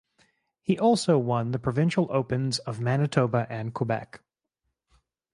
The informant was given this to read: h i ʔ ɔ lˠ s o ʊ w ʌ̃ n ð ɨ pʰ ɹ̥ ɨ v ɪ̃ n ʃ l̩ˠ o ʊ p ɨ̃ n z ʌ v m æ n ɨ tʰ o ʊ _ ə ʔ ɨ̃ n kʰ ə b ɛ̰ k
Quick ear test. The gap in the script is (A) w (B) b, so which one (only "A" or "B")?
B